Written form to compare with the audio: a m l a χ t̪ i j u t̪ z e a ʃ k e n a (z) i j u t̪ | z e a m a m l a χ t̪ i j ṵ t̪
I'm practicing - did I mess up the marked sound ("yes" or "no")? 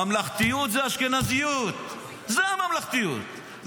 no